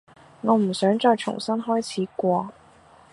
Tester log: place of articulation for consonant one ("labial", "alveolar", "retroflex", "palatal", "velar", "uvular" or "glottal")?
velar